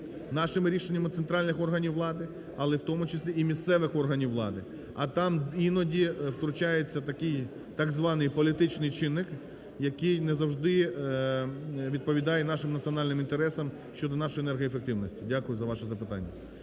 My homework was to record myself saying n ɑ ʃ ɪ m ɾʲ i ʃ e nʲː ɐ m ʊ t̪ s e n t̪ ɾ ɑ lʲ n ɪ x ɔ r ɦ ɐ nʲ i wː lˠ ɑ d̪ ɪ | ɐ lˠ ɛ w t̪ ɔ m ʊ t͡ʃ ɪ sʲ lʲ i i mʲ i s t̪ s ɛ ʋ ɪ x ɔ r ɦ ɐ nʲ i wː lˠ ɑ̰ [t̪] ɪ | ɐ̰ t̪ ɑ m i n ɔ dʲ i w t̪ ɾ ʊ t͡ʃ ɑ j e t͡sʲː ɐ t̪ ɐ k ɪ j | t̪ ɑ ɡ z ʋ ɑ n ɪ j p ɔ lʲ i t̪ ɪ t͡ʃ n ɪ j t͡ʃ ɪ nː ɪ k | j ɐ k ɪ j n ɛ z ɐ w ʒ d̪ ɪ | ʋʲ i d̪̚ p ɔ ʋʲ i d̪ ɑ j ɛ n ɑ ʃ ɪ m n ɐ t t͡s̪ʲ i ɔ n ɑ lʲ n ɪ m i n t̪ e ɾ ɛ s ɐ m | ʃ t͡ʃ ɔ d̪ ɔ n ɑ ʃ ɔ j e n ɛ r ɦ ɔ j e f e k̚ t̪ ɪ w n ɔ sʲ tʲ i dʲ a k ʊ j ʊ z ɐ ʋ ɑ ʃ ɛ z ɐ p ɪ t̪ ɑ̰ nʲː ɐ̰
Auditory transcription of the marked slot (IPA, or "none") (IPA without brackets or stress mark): d̪